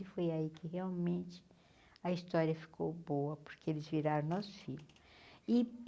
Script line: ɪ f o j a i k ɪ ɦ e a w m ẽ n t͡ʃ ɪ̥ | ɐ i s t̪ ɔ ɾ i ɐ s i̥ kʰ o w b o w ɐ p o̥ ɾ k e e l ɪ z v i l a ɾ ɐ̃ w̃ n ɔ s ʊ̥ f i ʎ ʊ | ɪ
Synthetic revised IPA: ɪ f o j a i k ɪ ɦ e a w m ẽ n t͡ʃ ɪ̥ | ɐ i s t̪ ɔ ɾ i ɐ f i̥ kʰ o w b o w ɐ p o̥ ɾ k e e l ɪ z v i ɾ a ɾ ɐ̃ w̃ n ɔ s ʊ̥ f i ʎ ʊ | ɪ